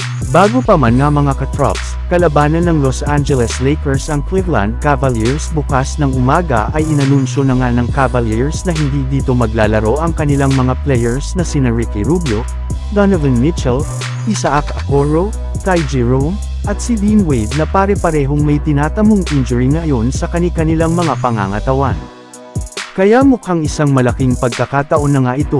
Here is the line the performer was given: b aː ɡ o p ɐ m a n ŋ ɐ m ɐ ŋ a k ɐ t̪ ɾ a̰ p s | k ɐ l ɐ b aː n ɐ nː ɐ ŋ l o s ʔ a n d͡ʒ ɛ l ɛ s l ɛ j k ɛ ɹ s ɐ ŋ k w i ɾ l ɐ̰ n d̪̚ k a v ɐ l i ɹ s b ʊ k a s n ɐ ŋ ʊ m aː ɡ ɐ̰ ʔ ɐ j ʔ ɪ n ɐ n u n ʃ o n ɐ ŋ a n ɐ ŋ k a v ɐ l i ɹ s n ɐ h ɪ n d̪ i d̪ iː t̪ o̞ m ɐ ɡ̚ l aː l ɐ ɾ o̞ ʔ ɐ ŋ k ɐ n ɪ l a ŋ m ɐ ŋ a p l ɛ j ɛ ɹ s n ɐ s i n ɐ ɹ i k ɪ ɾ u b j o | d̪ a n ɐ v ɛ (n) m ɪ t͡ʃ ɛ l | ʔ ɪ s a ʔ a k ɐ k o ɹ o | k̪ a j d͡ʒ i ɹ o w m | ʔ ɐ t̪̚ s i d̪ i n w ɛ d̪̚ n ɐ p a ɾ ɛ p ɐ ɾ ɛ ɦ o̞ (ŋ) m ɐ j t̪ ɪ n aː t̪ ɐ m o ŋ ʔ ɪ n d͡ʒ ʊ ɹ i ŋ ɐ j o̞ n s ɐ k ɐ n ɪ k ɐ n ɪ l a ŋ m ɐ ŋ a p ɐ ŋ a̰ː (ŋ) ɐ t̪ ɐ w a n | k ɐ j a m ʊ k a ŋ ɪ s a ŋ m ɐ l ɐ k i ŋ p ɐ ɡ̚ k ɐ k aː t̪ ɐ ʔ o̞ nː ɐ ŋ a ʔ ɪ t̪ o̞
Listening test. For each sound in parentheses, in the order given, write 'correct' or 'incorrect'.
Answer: correct, correct, correct

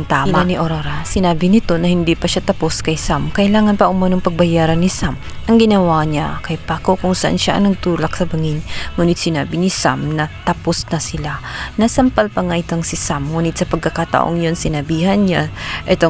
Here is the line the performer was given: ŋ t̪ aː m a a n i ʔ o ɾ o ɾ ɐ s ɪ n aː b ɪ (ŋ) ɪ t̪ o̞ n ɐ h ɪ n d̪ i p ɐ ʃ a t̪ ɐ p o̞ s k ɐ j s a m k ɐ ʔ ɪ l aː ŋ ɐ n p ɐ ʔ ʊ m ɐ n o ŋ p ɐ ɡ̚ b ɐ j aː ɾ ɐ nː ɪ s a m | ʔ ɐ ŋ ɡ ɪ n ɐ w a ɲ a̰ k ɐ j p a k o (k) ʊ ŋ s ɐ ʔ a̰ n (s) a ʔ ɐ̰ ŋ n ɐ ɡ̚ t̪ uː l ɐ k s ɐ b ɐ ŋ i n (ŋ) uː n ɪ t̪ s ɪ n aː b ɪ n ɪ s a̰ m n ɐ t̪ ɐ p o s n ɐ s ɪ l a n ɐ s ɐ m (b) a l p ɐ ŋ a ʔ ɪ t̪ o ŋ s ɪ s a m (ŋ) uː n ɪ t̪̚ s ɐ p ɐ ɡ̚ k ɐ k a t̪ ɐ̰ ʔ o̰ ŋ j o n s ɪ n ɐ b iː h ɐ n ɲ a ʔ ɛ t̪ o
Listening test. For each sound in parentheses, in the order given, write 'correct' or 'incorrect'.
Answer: incorrect: n, correct, incorrect: ʃ, correct, incorrect: p, correct

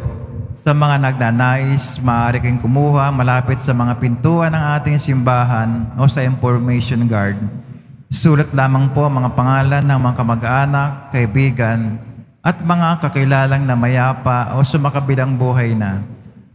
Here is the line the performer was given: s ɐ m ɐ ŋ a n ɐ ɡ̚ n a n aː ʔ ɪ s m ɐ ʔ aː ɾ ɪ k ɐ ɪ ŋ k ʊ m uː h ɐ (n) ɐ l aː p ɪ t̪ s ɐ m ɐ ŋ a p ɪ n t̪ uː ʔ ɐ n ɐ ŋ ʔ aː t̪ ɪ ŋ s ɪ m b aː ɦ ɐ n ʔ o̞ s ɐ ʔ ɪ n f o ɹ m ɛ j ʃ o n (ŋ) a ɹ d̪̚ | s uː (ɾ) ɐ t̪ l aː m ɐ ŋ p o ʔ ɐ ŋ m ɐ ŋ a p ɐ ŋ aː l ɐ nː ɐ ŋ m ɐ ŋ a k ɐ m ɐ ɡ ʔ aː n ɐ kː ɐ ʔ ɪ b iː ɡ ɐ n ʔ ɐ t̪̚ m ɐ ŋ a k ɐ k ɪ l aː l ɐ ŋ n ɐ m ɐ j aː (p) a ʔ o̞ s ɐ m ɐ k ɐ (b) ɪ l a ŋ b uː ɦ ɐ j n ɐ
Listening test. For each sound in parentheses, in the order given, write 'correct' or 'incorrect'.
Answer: incorrect: m, incorrect: ɡ, incorrect: l, correct, correct

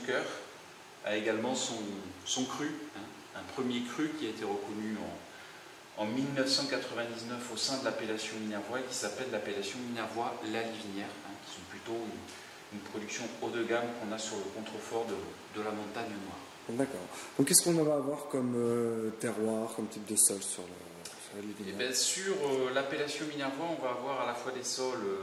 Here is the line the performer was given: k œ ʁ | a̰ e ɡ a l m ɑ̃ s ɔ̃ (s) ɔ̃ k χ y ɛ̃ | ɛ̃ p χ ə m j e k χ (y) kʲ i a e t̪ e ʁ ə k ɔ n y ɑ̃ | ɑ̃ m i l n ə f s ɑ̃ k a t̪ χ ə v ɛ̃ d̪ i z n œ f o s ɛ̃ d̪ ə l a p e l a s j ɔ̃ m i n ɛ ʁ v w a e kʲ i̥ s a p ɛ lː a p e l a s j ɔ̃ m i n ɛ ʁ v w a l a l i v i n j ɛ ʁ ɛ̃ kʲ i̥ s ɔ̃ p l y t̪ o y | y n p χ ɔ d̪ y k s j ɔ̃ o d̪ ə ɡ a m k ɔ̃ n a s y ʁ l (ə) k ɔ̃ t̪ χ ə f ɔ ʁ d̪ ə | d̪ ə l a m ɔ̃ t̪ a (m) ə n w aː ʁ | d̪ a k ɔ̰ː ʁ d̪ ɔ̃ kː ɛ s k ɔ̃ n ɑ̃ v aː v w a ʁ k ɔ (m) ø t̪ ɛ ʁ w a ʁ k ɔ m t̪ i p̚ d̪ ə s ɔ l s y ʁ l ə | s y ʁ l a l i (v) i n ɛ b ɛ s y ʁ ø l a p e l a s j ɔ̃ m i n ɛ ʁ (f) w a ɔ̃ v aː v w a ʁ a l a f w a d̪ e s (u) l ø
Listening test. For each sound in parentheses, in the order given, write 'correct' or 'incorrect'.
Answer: correct, correct, correct, incorrect: ɲ, correct, correct, incorrect: v, incorrect: ɔ

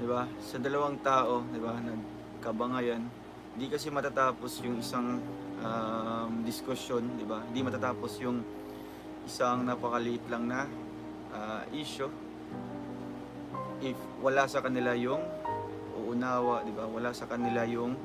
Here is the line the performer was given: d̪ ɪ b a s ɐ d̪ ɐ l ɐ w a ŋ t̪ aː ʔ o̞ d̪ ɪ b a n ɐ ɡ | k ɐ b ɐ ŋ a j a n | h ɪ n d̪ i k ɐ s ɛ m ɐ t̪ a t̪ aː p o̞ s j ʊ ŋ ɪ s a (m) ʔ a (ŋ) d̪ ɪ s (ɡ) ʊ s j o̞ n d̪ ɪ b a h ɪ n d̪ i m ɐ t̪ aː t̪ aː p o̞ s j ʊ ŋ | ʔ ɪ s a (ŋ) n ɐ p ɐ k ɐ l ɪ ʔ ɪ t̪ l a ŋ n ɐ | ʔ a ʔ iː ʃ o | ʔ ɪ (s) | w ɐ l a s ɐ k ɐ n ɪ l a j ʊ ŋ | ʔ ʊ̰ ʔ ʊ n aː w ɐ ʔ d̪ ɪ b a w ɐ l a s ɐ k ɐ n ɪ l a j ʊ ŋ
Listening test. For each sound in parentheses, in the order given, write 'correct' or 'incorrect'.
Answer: incorrect: ŋ, incorrect: m, incorrect: k, correct, incorrect: f

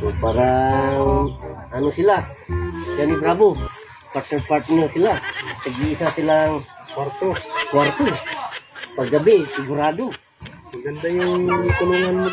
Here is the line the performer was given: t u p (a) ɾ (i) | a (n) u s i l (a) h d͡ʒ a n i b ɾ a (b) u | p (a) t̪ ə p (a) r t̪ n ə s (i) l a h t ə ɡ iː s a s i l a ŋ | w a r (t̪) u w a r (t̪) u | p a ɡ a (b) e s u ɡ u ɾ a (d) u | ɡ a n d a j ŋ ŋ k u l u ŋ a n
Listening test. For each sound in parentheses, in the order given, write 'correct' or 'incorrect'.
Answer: correct, incorrect: a, correct, correct, correct, correct, correct, correct, correct, correct, correct, correct

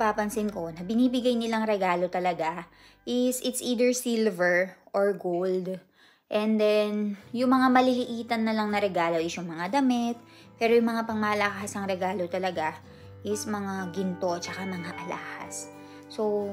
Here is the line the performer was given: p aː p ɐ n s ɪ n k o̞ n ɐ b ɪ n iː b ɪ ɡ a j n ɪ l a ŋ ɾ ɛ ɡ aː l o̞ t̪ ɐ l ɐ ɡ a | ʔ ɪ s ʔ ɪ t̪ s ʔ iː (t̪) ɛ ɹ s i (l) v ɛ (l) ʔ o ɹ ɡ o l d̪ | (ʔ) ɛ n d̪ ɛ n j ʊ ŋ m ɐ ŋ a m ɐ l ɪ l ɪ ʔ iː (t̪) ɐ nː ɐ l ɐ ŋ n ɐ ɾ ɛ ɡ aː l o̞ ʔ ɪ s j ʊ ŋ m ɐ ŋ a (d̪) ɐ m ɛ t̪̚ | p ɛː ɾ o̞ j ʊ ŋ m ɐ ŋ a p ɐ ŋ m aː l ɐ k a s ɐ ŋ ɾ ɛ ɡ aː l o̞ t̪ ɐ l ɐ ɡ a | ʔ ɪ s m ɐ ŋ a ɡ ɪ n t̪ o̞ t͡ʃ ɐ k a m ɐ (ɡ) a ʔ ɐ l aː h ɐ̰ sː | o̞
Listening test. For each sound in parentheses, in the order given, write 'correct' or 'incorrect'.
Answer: incorrect: d̪, correct, incorrect: ɹ, correct, correct, correct, incorrect: ŋ

